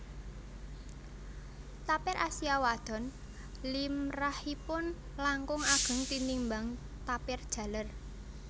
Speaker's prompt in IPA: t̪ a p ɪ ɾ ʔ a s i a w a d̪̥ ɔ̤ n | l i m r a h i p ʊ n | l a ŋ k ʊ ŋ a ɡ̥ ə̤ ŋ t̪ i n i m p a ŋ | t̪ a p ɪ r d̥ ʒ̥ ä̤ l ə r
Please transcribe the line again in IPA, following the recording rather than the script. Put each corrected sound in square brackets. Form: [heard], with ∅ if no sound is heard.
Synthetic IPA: t̪ a p ɪ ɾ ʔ a s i a w a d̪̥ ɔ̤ n | l i m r a h i p ʊ n | l a ŋ k ʊ ŋ a ɡ̥ ə̤ ŋ t̪ i n i m [b] a ŋ | t̪ a p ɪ r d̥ ʒ̥ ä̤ l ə r